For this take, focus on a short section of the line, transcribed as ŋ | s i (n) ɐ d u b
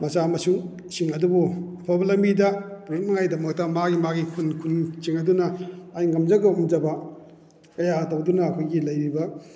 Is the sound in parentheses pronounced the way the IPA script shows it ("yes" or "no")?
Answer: no